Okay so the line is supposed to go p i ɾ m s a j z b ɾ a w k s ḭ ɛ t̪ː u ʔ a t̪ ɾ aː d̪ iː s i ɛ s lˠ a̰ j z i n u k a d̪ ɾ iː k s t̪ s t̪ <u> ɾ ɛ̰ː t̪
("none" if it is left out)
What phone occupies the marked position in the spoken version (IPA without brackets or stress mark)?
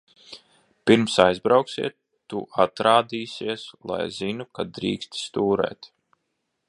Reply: uː